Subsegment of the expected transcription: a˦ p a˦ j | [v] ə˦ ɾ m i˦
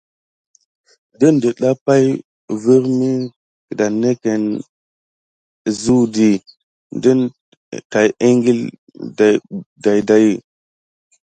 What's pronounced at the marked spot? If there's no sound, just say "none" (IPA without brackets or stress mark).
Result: v